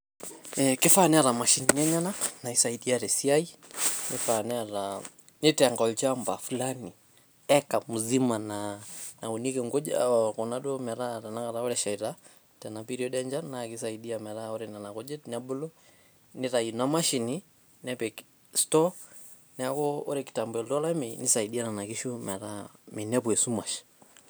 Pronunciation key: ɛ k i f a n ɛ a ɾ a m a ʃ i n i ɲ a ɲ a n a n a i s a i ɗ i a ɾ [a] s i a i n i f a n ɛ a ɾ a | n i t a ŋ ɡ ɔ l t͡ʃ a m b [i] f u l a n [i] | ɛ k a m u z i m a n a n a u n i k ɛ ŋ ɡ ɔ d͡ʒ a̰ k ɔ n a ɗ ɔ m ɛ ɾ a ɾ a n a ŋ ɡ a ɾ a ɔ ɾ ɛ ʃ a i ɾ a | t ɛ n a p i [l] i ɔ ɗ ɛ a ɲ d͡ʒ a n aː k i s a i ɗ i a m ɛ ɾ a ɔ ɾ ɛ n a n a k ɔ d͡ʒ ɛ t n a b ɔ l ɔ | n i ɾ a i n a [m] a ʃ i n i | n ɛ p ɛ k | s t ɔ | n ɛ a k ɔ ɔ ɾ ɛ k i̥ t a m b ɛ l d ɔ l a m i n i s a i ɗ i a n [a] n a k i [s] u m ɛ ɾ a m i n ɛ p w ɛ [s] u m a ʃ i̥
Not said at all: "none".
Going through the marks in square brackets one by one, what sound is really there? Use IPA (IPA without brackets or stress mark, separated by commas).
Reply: ɛ, a, i, ɾ, m, a, ʃ, s